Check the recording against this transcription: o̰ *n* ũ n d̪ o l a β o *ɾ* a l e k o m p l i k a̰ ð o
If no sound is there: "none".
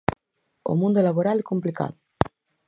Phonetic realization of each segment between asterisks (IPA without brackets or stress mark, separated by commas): m, ɾ